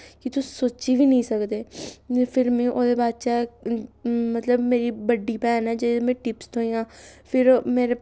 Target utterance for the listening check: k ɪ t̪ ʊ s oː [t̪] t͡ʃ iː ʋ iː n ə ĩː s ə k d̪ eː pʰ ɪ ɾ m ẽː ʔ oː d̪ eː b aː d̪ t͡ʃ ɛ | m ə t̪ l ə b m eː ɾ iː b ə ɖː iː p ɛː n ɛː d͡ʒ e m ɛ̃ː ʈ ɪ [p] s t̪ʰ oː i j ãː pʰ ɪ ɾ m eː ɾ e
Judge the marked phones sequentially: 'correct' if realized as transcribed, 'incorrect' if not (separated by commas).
incorrect, correct